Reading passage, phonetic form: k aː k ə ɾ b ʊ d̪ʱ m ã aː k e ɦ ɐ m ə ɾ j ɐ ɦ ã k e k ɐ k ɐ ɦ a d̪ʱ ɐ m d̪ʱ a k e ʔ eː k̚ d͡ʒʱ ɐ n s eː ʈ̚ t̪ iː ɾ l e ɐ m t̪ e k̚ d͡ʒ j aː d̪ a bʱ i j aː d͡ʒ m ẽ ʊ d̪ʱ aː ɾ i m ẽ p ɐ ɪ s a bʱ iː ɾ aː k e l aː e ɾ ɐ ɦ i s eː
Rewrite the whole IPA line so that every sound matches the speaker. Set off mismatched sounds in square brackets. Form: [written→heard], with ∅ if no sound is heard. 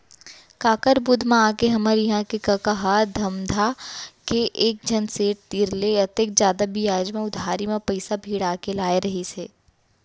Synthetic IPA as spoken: k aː k ə ɾ b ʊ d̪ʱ m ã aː k e ɦ ɐ m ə ɾ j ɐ ɦ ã k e k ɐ k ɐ ɦ a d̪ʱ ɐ m d̪ʱ a k e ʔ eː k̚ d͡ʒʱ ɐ n s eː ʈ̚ t̪ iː ɾ l e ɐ [m→∅] t̪ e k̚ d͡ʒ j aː d̪ a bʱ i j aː d͡ʒ m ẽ ʊ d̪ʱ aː ɾ i m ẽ p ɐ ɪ s a bʱ iː [ɾ→ɽ] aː k e l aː e ɾ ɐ ɦ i s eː